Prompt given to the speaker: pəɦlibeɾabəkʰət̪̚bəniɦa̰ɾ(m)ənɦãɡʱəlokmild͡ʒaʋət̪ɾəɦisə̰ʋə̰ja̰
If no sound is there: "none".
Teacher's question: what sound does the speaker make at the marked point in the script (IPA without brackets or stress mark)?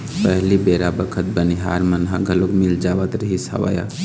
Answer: m